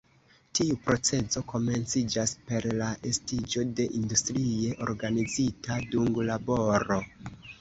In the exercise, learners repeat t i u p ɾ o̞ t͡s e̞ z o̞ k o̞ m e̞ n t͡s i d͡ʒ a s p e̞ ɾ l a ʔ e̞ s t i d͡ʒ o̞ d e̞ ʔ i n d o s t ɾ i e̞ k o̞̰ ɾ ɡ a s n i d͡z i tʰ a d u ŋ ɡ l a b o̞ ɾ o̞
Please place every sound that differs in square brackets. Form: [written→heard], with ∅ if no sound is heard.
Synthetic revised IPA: t i u p ɾ o̞ t͡s e̞ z o̞ k o̞ m e̞ n t͡s i d͡ʒ a s p e̞ ɾ l a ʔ e̞ s t i d͡ʒ o̞ d e̞ ʔ i n d [o→u] s t ɾ i e̞ [k→ʔ] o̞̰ ɾ ɡ a [s→∅] n i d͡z i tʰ a d u ŋ ɡ l a b o̞ ɾ o̞